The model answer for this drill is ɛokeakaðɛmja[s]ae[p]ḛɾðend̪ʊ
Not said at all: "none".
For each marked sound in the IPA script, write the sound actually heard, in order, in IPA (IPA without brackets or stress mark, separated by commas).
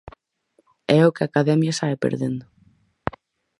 s, p